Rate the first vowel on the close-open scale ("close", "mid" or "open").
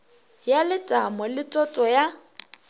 open